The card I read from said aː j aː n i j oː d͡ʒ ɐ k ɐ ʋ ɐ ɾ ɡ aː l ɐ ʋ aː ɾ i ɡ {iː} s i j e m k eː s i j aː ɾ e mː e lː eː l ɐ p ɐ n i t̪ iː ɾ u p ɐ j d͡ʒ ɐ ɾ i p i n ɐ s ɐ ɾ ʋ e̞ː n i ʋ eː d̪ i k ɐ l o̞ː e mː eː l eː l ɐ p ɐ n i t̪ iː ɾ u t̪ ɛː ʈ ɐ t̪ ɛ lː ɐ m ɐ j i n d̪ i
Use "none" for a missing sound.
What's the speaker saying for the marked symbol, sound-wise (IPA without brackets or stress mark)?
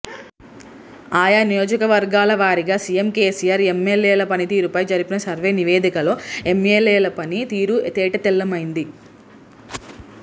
aː